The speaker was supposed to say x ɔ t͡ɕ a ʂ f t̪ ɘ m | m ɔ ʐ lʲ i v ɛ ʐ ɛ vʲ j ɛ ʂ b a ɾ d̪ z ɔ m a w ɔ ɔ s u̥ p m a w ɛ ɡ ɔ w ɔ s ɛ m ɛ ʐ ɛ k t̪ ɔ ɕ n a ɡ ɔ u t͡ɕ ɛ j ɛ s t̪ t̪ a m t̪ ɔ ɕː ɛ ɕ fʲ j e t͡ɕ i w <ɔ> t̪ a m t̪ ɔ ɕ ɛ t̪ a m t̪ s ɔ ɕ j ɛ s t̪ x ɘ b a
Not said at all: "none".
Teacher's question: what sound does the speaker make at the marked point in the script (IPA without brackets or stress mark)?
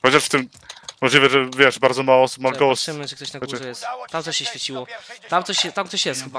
ɔ